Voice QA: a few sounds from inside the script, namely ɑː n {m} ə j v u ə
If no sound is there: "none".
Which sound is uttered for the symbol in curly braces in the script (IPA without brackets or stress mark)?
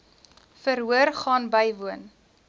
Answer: b